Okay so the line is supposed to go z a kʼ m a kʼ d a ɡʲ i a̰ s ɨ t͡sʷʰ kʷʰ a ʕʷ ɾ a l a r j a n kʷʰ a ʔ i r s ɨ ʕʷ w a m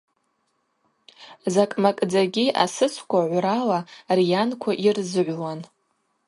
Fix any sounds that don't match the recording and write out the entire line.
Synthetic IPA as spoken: z a kʼ m a kʼ d͡z a ɡʲ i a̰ s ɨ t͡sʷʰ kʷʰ a ʕʷ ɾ a l a r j a n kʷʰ a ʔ i r z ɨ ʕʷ w a n